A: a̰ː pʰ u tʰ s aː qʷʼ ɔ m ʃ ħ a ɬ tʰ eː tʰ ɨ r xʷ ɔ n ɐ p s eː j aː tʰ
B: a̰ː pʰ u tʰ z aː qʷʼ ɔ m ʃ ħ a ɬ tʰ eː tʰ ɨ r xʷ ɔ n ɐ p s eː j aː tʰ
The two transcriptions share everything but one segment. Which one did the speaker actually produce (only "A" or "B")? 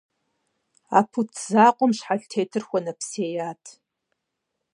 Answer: B